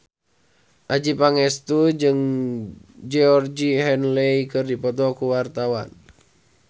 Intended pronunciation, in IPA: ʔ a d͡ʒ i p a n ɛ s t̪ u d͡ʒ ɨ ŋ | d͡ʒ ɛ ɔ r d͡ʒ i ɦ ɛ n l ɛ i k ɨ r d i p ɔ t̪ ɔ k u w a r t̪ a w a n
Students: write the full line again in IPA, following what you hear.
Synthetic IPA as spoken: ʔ a d͡ʒ i p a ŋ ɛ s t̪ u d͡ʒ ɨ ŋ | d͡ʒ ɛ ɔ r d͡ʒ i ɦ ɛ n l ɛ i k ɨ r d i p ɔ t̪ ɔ k u w a r t̪ a w a n